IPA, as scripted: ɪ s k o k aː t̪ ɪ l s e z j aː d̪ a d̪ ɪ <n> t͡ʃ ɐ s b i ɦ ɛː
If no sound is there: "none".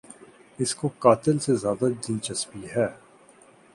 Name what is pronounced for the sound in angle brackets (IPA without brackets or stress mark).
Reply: n